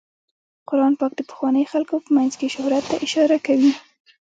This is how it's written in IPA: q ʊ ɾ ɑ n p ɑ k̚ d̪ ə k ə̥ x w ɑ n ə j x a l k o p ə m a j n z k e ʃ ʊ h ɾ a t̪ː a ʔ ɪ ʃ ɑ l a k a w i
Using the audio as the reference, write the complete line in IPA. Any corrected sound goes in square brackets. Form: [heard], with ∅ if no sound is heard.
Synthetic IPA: q ʊ ɾ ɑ n p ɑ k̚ d̪ ə [p] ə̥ x w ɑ n ə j x a l k o p ə m a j n z k e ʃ ʊ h ɾ a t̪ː a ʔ ɪ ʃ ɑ [ɾ] a k a w i